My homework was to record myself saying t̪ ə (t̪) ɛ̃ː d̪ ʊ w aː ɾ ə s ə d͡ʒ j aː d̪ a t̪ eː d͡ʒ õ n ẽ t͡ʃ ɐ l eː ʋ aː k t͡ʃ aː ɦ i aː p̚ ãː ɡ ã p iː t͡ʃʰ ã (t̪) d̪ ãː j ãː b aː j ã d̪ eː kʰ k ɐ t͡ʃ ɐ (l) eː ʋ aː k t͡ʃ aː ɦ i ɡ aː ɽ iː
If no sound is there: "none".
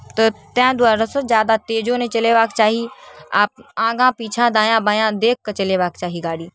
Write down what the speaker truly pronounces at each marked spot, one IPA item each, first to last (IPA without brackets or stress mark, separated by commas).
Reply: t̪, none, l